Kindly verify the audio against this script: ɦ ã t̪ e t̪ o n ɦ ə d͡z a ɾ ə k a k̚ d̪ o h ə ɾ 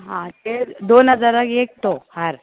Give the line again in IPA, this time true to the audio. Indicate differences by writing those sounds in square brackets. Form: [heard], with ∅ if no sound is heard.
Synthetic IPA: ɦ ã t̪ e [d̪] o n ɦ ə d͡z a ɾ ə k [e] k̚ [t̪] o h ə ɾ